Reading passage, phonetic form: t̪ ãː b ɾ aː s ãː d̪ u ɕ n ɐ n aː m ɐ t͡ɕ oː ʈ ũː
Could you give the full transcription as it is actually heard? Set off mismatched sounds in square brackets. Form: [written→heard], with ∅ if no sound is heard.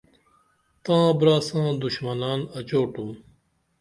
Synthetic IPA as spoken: t̪ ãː b ɾ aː s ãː d̪ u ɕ [n→m] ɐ n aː [m→n] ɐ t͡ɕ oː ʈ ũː